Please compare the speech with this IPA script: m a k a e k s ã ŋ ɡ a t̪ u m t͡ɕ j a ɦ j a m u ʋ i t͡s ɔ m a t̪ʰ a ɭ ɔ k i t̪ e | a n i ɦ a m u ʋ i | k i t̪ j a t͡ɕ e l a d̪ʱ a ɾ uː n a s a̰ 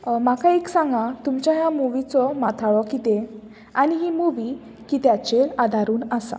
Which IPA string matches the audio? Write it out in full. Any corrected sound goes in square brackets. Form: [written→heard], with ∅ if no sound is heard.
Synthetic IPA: m a k a e k s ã ŋ ɡ a t̪ u m t͡ɕ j a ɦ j a m u ʋ i t͡s ɔ m a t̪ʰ a ɭ ɔ k i t̪ e | a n i ɦ [a→i] m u ʋ i | k i t̪ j a t͡ɕ e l a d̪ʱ a ɾ uː n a s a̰